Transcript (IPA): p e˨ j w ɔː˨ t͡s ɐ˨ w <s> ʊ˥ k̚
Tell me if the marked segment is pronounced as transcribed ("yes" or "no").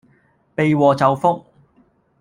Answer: no